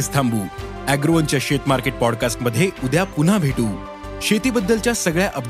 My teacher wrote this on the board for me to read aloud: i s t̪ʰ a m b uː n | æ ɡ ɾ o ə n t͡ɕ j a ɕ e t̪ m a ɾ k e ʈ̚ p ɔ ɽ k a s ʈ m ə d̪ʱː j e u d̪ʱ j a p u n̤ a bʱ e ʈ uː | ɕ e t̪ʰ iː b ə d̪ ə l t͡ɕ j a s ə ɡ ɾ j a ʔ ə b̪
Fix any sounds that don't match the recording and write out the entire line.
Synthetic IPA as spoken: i s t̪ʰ a m b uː | æ ɡ ɾ o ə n t͡ɕ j a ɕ e t̪ m a ɾ k e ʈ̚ p ɔ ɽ k a s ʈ m ə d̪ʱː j e u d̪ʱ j a p u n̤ a bʱ e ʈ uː | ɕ e t̪ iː b ə d̪ː ə l t͡ɕ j a s ə ɡ ɭ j a ʔ ə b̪